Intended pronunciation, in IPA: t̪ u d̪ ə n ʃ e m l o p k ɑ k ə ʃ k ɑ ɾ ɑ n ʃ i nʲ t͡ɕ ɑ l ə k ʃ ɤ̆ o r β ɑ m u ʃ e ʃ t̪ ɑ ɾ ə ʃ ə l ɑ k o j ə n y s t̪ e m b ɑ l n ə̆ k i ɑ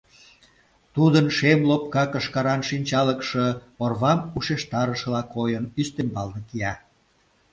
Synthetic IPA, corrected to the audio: t̪ u d̪ ə n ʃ e m l o p k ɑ k ə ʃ k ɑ ɾ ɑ n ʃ i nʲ t͡ɕ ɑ l ə k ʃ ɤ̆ o r β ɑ m u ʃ e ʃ t̪ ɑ ɾ ə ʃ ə l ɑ k o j ə n y s t̪ e m b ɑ l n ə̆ k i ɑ